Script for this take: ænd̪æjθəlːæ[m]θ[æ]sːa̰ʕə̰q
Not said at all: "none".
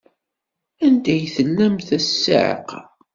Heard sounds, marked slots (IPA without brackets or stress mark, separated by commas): m, æ